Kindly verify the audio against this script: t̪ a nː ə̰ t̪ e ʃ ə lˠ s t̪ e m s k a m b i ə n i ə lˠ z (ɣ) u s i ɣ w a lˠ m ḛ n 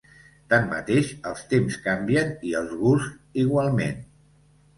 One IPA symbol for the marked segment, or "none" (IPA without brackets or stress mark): ɣ